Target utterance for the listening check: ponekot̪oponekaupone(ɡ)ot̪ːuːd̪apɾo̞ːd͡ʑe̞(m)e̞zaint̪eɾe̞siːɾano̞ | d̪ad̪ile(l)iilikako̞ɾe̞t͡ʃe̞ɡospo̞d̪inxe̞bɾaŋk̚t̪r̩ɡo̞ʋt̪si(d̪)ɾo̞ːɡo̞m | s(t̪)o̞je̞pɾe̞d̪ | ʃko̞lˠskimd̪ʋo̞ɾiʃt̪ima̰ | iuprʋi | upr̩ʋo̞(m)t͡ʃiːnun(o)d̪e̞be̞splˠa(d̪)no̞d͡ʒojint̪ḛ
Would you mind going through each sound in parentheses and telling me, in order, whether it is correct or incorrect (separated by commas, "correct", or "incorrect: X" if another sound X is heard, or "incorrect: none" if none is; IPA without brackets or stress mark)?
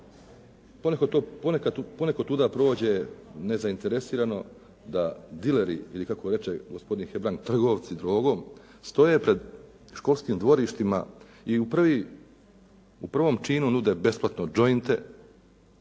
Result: incorrect: k, incorrect: n, incorrect: ɾ, correct, correct, correct, incorrect: u, incorrect: t̪